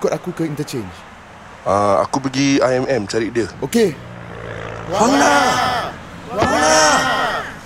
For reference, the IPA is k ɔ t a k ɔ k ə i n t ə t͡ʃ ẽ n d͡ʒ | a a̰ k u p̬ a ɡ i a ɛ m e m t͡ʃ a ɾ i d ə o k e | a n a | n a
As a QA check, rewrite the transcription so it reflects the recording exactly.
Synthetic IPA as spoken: k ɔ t a k u k ə i n t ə t͡ʃ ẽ n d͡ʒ | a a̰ k u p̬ ə ɡ i a ɛ m ɛ m t͡ʃ a ɾ i d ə o k e | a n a | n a